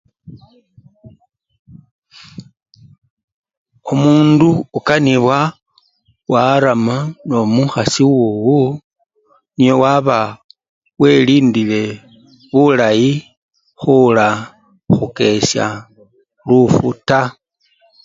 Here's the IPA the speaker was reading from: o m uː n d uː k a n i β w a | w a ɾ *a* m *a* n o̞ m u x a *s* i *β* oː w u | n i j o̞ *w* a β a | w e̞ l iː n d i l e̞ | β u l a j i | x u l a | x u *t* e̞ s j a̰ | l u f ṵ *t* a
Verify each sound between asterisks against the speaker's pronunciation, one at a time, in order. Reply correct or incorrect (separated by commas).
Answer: correct, correct, correct, incorrect, correct, incorrect, correct